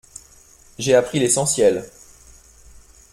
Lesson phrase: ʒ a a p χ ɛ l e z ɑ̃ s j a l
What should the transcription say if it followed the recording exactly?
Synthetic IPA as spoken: ʒ e a p χ i l e s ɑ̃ s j ɛ l